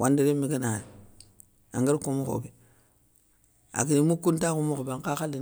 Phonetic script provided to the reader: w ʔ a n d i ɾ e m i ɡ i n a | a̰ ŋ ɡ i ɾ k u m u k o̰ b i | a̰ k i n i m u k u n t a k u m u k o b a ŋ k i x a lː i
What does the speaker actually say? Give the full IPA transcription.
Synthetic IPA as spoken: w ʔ a n d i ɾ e m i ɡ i n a | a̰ ŋ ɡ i ɾ k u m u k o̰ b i | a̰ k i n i m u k u n t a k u m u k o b a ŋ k a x a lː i